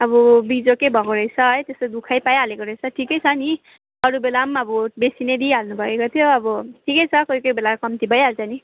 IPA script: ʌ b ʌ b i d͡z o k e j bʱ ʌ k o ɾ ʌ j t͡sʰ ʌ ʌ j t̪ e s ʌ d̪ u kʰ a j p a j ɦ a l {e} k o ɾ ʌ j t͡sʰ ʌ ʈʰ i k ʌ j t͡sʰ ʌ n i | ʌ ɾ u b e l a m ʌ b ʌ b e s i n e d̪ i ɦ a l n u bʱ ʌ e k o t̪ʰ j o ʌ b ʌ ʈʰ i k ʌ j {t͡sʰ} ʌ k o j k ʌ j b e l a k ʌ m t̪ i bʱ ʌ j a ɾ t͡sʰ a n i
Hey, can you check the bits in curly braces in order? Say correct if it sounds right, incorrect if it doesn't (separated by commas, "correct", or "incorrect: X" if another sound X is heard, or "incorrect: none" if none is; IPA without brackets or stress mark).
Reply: correct, correct